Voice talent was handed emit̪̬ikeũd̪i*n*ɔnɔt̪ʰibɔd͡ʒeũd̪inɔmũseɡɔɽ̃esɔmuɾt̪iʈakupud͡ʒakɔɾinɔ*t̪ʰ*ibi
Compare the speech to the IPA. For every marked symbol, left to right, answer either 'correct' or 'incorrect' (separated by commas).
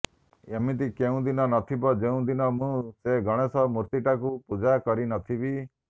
correct, correct